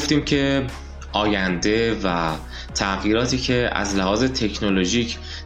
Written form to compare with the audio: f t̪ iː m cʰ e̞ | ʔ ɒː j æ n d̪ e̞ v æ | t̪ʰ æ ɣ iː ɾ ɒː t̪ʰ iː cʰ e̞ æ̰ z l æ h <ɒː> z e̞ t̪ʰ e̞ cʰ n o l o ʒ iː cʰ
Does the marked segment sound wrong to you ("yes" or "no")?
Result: no